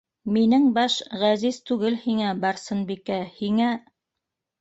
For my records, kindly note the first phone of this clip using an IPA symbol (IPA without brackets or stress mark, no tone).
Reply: m